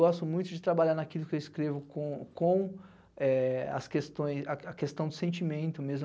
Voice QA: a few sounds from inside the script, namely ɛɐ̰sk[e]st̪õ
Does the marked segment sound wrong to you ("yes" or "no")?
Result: no